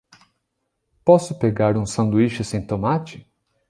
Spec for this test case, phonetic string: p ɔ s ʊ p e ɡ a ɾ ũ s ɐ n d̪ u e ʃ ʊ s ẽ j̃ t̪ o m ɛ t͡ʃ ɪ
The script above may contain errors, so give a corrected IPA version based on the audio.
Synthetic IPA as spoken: p ɔ s ʊ p e ɡ a ɾ ũ s ɐ̃ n d̪ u i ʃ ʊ s ẽ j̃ t̪ o m a t͡ʃ ɪ